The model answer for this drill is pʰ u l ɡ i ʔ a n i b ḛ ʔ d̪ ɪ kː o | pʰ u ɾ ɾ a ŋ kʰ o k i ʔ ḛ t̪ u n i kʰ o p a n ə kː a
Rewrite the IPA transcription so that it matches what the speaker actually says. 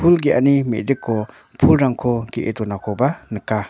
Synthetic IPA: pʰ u l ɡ i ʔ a n i m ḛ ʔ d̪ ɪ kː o | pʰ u l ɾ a ŋ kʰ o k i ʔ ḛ t̪ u n a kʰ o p a n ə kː a